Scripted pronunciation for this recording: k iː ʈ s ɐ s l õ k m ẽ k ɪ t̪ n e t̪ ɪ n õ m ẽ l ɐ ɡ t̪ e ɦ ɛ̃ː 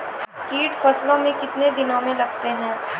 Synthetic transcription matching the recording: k iː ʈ f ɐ s l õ m ẽ k ɪ t̪ n e d̪ ɪ n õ m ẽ l ɐ ɡ t̪ e ɦ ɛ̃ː